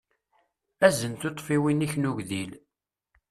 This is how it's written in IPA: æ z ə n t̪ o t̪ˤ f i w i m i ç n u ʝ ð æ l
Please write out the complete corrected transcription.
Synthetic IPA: æ z ə n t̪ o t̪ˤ f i w i n i ç n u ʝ ð i l

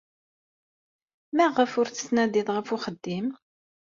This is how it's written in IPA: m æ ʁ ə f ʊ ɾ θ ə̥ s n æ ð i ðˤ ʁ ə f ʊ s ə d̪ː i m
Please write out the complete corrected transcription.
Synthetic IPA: m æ ʁ ə f ʊ ɾ θ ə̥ s n æ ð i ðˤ ʁ ə f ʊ χ ə d̪ː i m

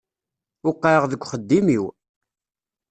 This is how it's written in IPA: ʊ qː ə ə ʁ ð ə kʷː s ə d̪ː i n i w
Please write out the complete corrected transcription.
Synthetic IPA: ʊ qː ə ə ʁ ð ə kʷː χ ə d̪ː i m i w

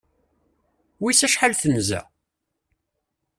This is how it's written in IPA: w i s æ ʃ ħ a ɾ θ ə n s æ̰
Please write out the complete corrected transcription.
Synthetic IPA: w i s æ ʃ ħ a l θ ə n z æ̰

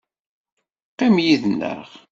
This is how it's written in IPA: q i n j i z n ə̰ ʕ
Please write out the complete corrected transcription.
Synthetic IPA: q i m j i ð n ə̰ ʁ

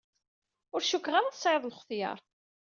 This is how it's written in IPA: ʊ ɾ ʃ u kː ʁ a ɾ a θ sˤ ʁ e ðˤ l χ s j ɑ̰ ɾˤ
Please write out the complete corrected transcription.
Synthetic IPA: ʊ ɾ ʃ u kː ʁ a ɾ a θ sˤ ʕ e ðˤ l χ θ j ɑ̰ ɾˤ

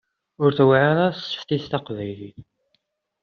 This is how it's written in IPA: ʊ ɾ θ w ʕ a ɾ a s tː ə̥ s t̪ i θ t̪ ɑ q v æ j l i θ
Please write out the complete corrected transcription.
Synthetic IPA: ʊ ɾ θ w ʕ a ɾ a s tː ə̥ f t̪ i θ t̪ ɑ q v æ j l i θ

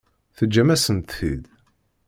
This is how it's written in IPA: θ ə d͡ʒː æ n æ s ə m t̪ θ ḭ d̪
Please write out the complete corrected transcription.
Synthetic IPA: θ ə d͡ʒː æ m æ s ə n t̪ θ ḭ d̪

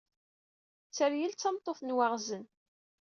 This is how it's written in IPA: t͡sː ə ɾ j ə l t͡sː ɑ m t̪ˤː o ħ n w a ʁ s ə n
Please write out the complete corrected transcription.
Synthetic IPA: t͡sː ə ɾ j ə l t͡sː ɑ m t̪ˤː o θ n w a ʁ z ə n

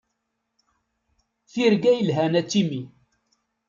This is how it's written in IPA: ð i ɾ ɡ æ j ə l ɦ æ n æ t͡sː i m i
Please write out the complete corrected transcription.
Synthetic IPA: θ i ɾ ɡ æ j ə l ɦ æ n æ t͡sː i m i

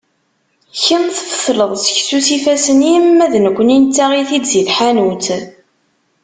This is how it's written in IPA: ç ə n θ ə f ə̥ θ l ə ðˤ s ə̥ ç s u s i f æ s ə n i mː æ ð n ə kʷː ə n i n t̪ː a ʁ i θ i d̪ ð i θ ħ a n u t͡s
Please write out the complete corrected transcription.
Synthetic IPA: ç ə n θ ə f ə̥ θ l ə ðˤ s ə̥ ç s u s i f æ s ə n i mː æ ð n ə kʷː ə n i n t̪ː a ʁ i θ i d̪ z i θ ħ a n u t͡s

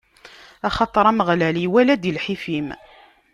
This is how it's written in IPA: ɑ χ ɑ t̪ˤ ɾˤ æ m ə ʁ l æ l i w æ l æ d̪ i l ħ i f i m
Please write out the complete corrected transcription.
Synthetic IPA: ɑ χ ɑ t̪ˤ ɾˤ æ m ə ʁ l æ l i w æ l æ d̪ i l ħ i f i m

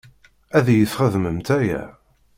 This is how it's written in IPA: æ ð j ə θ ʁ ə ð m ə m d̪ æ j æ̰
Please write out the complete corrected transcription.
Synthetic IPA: æ ð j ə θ χ ə ð m ə m t̪ æ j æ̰

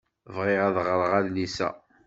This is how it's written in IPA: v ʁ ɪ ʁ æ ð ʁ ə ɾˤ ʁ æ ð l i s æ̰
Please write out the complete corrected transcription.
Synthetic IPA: v ʁ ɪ ʁ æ ð ʁ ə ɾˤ ʁ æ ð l i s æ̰

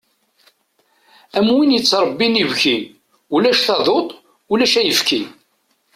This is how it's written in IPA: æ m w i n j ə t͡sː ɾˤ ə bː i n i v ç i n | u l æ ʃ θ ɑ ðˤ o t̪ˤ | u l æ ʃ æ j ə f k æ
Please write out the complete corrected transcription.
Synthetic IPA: æ m w i n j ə t͡sː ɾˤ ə bː i n i v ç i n | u l æ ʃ θ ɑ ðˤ o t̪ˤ | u l æ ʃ æ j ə f k i

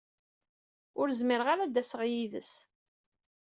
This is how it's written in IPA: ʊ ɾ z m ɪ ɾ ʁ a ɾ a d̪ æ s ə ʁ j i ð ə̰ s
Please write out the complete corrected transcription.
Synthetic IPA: ʊ ɾ z m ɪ ɾ ʁ a ɾ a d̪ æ s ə ʁ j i ð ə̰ s

